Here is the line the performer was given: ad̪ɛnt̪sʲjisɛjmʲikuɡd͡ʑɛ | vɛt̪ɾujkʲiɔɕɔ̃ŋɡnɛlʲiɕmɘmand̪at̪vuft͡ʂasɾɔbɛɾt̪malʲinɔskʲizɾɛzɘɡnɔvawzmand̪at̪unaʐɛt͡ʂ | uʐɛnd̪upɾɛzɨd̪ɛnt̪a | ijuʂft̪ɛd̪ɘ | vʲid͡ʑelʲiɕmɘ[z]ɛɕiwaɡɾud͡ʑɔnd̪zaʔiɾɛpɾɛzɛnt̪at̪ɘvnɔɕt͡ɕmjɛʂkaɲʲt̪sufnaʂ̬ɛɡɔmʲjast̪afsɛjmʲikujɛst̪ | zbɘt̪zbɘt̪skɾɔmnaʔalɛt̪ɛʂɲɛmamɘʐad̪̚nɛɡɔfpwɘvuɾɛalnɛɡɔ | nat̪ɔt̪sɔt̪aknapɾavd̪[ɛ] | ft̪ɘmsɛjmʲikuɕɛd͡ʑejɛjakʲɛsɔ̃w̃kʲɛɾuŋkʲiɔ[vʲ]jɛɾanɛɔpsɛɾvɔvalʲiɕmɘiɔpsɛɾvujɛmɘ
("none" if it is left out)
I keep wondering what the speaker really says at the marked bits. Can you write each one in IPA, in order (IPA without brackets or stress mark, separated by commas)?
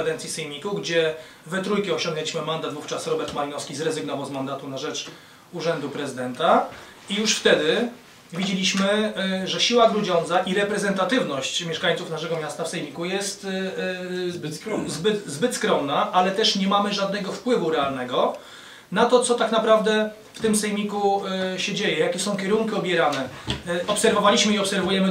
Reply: ʐ, ɛ, bʲ